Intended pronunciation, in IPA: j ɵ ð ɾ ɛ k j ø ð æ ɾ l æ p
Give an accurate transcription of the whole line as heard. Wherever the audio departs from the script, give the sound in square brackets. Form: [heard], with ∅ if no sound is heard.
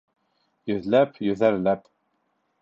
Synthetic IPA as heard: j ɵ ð [l] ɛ [p] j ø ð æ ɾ l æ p